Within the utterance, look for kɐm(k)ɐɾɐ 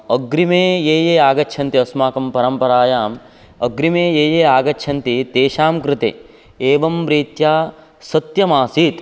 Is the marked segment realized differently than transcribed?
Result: yes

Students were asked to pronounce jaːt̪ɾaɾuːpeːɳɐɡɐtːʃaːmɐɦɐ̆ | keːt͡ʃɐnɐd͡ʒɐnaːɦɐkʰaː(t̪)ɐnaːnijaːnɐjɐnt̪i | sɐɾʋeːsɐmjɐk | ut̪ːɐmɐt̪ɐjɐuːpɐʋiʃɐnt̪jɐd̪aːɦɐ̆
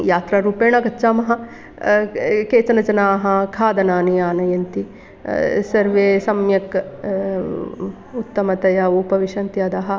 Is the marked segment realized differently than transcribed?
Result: yes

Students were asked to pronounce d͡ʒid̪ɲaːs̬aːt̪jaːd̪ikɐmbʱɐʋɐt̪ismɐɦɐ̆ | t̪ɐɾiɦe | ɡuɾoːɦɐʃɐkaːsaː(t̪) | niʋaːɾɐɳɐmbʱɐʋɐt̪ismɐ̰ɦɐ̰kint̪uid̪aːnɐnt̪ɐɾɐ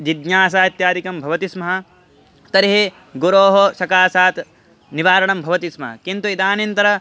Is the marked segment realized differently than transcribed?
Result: no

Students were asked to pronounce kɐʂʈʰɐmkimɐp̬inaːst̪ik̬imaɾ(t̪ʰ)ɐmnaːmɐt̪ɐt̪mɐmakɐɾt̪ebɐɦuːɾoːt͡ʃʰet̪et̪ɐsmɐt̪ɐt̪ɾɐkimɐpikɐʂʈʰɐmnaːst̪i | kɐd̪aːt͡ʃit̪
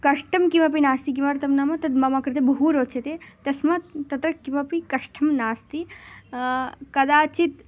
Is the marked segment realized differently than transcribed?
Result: yes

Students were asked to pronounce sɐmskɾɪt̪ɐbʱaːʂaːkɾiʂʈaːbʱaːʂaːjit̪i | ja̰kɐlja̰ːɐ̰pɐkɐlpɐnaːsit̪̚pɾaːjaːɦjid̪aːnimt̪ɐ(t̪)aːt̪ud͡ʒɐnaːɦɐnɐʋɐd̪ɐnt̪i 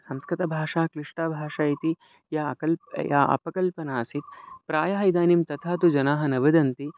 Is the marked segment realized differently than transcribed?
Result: yes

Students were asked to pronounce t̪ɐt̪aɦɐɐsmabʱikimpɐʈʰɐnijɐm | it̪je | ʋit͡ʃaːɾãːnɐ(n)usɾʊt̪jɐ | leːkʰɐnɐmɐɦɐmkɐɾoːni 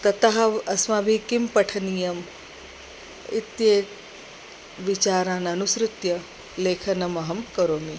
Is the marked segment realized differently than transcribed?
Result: no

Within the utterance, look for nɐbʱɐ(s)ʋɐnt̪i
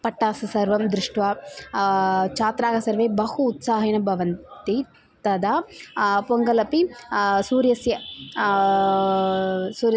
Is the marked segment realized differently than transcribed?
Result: yes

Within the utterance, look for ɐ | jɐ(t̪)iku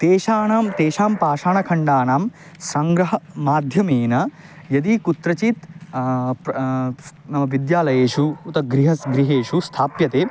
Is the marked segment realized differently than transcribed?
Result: yes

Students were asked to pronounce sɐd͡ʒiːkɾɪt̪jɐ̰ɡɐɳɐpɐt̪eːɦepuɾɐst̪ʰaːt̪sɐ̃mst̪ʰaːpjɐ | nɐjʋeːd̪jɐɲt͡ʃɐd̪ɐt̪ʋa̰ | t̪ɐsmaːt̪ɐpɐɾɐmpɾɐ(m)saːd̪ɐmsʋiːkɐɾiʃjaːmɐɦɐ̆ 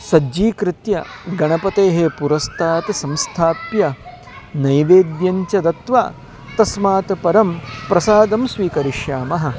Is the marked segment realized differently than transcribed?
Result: yes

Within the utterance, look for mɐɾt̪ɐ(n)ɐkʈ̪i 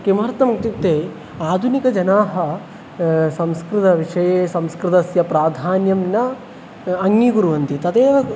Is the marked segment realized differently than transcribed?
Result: yes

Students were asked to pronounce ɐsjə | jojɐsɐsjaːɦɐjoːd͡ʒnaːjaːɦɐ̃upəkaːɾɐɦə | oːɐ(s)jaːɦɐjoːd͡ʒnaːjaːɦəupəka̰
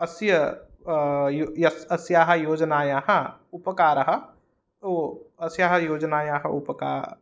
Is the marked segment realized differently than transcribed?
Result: no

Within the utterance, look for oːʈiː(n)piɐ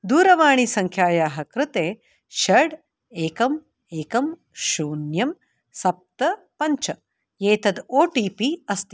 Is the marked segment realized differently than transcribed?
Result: yes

